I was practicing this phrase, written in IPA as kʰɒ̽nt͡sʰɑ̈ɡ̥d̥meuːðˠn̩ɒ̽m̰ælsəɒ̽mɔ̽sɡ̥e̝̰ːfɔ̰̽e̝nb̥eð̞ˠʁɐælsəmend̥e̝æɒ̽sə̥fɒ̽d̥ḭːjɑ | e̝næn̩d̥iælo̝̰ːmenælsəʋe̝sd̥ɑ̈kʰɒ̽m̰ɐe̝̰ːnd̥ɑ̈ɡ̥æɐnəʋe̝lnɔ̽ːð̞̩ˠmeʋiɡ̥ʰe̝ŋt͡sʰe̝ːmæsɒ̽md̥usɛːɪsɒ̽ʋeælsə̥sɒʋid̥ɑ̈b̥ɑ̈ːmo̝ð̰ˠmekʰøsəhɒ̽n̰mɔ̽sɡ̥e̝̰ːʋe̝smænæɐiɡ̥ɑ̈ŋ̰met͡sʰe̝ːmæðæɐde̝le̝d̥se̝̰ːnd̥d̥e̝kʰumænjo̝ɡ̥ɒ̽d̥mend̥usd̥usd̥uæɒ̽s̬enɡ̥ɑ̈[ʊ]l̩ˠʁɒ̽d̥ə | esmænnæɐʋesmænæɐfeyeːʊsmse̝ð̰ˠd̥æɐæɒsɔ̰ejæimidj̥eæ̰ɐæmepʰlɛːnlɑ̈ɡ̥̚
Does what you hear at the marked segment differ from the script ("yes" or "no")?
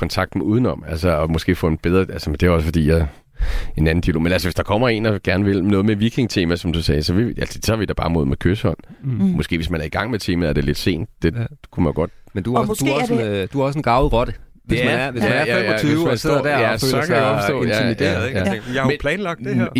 no